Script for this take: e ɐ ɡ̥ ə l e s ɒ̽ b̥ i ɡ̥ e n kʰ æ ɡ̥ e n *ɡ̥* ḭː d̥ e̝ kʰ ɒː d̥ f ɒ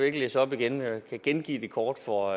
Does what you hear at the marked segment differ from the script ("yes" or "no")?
no